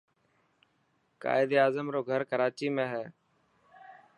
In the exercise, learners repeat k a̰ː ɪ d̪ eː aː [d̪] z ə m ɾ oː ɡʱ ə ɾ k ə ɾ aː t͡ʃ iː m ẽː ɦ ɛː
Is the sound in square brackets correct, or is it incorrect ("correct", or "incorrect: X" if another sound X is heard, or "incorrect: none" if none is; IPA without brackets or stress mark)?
incorrect: none